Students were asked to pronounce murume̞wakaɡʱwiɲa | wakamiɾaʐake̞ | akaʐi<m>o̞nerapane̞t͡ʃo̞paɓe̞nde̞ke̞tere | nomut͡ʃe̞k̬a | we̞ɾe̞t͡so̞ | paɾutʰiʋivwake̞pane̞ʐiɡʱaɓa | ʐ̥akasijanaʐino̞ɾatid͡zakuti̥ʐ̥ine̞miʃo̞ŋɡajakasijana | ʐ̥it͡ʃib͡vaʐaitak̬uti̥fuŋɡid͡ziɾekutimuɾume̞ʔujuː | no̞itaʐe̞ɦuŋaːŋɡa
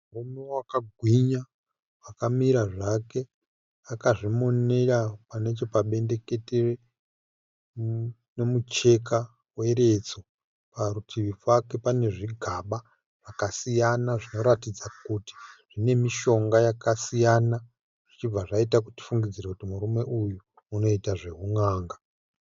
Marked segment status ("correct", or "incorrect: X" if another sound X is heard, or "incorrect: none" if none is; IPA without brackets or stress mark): correct